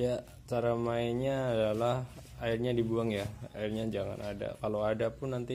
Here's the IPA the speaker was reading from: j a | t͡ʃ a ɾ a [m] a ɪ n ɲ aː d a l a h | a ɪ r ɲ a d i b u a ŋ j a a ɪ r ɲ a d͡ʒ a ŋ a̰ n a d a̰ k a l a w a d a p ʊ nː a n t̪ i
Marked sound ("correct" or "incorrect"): correct